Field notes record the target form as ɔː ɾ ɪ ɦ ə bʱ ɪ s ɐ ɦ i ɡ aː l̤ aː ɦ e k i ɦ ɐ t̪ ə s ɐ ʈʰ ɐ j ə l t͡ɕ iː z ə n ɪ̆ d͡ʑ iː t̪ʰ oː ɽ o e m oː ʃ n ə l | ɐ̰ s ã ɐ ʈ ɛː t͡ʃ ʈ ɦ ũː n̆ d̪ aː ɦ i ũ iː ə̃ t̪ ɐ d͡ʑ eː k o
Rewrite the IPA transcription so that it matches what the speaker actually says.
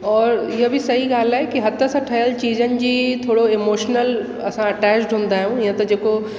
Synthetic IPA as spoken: ɔː ɾ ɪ ɦ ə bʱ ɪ s ɐ ɦ i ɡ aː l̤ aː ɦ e k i ɦ ɐ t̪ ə s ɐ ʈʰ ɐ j ə l t͡ɕ iː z ə n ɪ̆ d͡ʑ iː t̪ʰ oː ɽ o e m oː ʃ n ə l | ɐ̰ s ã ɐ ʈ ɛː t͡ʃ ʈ ɦ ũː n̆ d̪ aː ɦ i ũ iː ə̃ t̪ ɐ d͡ʑ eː k o